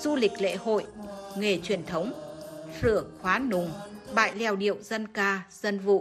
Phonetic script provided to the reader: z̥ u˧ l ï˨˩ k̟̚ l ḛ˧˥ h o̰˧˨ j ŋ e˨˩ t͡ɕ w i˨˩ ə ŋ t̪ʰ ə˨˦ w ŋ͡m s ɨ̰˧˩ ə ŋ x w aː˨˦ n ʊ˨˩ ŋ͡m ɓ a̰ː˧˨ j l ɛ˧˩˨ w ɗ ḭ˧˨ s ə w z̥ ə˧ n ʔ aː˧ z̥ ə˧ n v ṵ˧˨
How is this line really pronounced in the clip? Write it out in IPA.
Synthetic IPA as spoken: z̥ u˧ l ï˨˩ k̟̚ l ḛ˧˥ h o̰˧˨ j ŋ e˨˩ t͡ɕ w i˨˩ ə n t̪ʰ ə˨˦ w ŋ͡m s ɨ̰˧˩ ə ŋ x w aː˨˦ n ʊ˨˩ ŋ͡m ɓ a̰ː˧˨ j l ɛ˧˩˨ w ɗ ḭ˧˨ ə w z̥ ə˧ n k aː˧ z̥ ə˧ n v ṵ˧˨

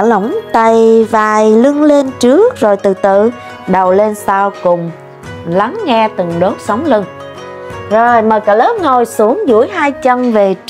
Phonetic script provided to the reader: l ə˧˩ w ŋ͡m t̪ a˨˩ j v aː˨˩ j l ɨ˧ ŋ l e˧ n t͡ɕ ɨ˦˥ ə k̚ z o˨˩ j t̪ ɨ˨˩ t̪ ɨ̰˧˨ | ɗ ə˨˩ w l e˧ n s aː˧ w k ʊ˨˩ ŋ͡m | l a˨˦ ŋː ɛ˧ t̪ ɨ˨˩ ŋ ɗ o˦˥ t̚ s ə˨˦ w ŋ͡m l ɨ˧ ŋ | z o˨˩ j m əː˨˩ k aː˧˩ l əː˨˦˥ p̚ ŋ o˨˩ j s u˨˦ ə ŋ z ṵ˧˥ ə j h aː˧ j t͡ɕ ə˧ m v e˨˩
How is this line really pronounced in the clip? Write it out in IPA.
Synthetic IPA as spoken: l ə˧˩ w ŋ͡m t̪ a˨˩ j v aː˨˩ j l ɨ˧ ŋ l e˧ n t͡ɕ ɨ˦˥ ə k̚ z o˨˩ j t̪ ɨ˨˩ t̪ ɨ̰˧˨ | ɗ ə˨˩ w l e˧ n s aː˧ w k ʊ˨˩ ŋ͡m | l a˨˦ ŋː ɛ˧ t̪ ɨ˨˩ ŋ ɗ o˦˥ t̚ s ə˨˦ w ŋ͡m l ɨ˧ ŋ | z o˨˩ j m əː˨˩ k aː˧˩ l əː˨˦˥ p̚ ŋ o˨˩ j s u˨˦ ə ŋ z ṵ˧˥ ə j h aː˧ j t͡ɕ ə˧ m v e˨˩

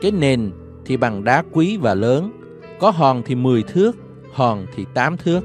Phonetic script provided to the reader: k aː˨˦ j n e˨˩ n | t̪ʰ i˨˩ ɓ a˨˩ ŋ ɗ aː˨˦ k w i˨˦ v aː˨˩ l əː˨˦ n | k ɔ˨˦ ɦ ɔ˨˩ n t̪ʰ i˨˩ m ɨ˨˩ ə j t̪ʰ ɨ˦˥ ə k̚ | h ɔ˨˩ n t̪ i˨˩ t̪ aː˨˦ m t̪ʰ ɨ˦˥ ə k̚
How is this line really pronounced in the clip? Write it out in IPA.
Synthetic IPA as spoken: k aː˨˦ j n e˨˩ n | t̪ʰ i˨˩ ɓ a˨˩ ŋ ɗ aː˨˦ k w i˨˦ v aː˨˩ l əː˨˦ n | k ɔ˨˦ ɦ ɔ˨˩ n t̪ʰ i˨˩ m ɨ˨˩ ə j t̪ʰ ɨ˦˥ ə k̚ | h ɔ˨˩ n t̪ʰ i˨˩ t̪ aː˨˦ m t̪ʰ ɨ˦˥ ə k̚

